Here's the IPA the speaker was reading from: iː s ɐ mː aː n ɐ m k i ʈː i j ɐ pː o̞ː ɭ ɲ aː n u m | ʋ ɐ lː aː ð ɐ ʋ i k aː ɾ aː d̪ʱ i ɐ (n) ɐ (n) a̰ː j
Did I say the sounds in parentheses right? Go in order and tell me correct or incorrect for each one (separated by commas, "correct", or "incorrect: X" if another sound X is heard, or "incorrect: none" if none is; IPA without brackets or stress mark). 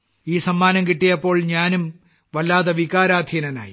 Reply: correct, correct